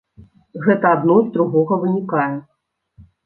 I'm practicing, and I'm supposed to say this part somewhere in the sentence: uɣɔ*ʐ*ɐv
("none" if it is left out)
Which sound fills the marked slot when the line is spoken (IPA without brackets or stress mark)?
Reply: ɣ